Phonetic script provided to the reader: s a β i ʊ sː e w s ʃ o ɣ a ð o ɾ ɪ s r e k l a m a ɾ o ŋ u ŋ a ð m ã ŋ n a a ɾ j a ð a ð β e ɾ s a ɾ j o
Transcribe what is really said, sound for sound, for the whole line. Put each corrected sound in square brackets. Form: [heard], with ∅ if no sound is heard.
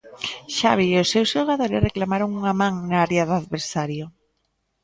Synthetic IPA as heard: [ʃ] a β i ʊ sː e w s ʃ o ɣ a ð o ɾ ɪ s r e k l a m a ɾ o ŋ u ŋ a [∅] m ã ŋ n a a ɾ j a ð a ð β e ɾ s a ɾ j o